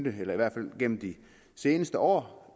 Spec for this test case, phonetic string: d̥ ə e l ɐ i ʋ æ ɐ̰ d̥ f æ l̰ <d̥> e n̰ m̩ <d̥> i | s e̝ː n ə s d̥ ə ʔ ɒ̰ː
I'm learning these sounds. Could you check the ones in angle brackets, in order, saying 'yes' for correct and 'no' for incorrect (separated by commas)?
no, yes